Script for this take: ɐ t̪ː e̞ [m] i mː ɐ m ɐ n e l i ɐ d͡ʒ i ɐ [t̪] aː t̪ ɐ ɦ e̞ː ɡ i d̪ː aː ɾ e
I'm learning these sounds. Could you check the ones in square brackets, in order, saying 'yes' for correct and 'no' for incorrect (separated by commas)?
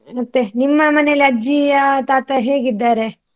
no, yes